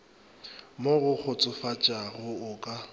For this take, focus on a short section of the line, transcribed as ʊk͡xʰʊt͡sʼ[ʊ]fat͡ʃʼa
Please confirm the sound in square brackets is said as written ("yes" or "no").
yes